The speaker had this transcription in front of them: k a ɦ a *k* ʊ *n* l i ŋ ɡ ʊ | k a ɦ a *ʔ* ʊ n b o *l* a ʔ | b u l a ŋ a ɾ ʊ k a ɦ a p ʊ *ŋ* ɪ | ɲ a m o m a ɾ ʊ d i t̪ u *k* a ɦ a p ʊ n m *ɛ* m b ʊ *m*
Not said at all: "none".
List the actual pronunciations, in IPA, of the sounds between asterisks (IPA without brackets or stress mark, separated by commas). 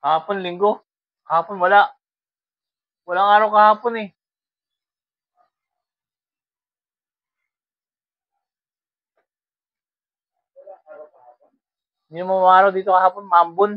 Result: p, n, p, l, n, k, a, n